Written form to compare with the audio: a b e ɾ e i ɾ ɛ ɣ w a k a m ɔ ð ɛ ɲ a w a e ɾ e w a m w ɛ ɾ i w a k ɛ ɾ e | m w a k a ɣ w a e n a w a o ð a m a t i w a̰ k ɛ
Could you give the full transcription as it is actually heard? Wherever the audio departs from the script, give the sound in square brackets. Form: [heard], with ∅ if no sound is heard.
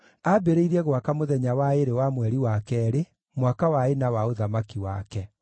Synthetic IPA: a b e ɾ e i ɾ ɛ ɣ w a k a m [o] ð ɛ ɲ a w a e ɾ e w a m w ɛ ɾ i w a k ɛ ɾ e | m w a k a [∅] w a e n a w a o ð a m a [k] i w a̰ k ɛ